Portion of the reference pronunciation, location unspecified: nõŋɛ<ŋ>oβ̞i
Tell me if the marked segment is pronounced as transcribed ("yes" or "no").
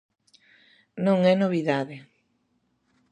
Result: no